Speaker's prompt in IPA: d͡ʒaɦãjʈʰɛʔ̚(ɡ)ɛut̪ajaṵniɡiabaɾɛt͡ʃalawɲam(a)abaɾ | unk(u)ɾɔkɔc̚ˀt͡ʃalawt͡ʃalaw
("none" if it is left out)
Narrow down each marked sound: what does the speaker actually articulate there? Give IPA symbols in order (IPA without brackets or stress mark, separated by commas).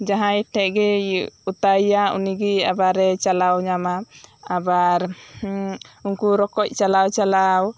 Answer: ɡ, a, u